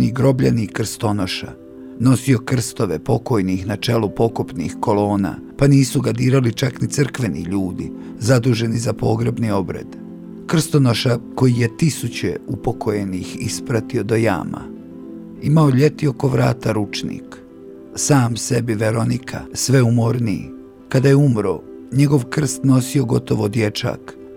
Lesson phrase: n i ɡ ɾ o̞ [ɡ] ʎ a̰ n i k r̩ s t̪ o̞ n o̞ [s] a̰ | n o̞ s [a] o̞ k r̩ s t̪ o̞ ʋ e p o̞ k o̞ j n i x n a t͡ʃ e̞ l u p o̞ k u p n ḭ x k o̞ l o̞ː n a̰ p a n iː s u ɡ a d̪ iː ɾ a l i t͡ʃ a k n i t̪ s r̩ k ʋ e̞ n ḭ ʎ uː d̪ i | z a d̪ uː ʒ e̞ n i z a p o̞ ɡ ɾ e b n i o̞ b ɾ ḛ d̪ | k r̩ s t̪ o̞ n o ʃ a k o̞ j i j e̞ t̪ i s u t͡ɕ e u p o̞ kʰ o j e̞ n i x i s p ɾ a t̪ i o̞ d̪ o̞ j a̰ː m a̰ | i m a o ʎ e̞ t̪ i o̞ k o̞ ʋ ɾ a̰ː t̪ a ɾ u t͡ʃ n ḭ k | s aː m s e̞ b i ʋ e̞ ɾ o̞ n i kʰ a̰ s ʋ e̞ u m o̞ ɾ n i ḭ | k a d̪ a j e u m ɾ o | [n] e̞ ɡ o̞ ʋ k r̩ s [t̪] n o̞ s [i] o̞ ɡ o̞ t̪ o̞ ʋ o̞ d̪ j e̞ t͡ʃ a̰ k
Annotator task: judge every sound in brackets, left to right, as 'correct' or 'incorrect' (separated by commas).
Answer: incorrect, incorrect, incorrect, incorrect, correct, correct